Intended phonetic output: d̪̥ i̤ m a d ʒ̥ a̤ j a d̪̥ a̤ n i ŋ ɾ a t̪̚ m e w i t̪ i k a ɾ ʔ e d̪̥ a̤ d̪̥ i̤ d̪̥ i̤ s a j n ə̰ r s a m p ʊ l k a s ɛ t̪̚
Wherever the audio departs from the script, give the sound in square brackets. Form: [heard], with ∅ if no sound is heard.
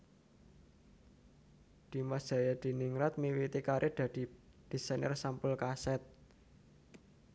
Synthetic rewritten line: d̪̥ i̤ m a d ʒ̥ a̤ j a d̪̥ [i̤] n i ŋ ɾ a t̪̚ m [i] w i t̪ i k a ɾ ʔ e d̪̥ a̤ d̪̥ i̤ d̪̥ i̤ s a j n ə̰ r s a m p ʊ l k a s ɛ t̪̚